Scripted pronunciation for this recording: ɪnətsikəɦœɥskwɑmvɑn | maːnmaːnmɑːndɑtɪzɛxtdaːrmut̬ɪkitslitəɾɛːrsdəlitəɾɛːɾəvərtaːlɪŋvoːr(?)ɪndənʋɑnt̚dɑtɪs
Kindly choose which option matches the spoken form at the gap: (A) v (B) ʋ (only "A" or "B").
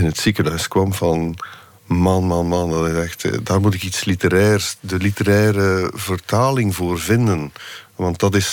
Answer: A